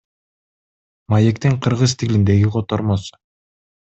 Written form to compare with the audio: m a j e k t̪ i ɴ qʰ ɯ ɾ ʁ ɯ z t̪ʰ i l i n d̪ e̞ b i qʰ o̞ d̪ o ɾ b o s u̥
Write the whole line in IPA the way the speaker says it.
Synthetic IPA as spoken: m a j e k t̪ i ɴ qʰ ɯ ɾ ʁ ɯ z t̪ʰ i l i n d̪ e̞ ɡ i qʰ o̞ t̪ o ɾ m o s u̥

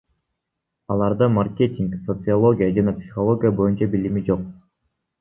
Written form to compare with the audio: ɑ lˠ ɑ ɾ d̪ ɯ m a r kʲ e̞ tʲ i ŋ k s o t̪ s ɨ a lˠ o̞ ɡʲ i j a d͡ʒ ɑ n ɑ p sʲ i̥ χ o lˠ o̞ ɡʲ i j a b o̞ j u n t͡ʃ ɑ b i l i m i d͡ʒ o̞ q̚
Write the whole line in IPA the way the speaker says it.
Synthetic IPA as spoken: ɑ lˠ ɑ ɾ d̪ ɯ m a r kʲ e̞ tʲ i ŋ k s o t̪ s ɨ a lˠ o̞ ɡʲ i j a d͡ʒ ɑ n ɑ p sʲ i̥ χ o lˠ o̞ ɡʲ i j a b o̞ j u n t͡ʃ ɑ b i l i m i d͡ʒ o̞ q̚

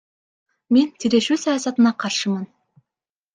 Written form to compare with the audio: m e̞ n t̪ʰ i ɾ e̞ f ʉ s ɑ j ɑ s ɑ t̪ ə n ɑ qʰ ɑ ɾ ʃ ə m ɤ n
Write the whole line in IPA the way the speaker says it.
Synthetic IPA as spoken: m e̞ n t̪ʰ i ɾ e̞ ʃ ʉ s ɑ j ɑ s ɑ t̪ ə n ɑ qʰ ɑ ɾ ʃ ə m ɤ n

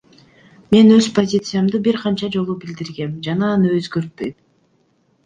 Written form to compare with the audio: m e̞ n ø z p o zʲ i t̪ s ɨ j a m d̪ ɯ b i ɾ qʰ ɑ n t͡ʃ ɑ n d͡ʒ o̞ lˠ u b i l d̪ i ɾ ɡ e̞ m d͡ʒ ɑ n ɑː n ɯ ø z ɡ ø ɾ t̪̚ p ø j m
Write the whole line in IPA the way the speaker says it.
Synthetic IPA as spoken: m e̞ n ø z p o zʲ i t̪ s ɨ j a m d̪ ɯ b i ɾ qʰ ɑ n t͡ʃ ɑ d͡ʒ o̞ lˠ u b i l d̪ i ɾ ɡ e̞ m d͡ʒ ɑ n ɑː n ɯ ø z ɡ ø ɾ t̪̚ p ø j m

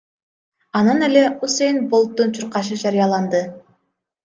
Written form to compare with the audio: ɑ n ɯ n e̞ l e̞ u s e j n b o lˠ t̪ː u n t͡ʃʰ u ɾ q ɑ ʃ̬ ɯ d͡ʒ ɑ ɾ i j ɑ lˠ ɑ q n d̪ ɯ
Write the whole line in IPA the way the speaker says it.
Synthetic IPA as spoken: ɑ n ɯ n e̞ l e̞ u s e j n b o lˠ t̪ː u n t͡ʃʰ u ɾ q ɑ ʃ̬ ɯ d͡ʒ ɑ ɾ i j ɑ lˠ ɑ n d̪ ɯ

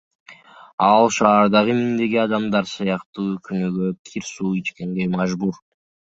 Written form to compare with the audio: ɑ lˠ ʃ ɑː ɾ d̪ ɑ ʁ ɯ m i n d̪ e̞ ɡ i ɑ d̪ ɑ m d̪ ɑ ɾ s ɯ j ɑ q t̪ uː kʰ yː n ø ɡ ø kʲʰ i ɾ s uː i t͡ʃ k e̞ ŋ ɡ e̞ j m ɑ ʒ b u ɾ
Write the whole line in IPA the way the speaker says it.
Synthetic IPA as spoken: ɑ lˠ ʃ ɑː ɾ d̪ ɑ ʁ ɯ m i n d̪ e̞ ɡ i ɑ d̪ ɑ m d̪ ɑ ɾ s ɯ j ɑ q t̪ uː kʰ y n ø ɡ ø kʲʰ i ɾ s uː i t͡ʃ k e̞ ŋ ɡ e̞ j m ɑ ʒ b u ɾ

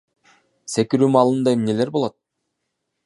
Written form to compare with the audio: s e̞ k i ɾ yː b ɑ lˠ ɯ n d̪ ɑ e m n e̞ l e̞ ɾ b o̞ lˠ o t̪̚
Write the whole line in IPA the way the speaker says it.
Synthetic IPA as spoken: s e̞ k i ɾ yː m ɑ lˠ ɯ n d̪ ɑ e m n e̞ l e̞ ɾ b o̞ lˠ o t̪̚

